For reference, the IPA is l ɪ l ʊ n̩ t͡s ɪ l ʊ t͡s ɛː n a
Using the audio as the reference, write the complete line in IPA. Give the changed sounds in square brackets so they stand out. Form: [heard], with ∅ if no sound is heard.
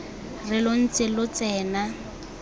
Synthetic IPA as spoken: [r] ɪ l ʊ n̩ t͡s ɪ l ʊ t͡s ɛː n a